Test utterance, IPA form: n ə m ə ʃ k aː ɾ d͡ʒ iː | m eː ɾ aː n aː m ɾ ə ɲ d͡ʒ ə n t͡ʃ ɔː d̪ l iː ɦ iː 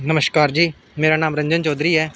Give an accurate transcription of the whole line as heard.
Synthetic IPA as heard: n ə m ə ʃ k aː ɾ d͡ʒ iː | m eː ɾ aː n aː m ɾ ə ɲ d͡ʒ ə n t͡ʃ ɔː d̪ ɾ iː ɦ ɛː